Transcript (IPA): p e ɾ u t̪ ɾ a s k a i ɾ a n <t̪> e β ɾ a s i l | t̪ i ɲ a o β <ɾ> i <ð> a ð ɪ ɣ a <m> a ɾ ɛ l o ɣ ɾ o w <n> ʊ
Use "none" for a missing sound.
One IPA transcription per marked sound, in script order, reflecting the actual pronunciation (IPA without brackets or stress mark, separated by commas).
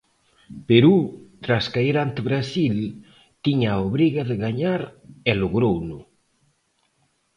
t̪, ɾ, ɣ, ɲ, n